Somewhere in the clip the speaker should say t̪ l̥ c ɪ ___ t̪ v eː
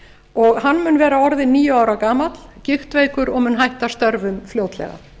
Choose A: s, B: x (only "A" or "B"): B